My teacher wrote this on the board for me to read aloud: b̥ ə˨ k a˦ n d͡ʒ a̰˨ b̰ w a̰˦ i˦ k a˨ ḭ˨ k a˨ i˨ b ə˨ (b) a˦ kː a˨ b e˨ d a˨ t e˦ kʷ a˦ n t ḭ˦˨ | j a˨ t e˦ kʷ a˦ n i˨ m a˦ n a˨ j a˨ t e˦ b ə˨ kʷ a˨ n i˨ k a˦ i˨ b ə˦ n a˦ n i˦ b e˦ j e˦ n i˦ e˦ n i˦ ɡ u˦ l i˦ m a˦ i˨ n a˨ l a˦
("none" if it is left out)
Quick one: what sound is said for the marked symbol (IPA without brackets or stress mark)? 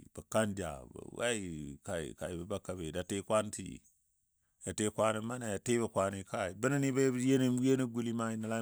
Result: b